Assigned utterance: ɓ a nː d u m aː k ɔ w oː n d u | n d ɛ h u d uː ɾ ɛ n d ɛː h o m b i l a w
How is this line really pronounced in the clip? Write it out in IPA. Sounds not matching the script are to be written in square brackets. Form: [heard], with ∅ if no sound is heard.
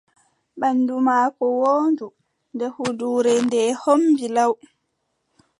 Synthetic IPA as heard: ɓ a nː d u m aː k ɔ w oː n d u | n d ɛ h u d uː ɾ ɛ n d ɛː h o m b i l a w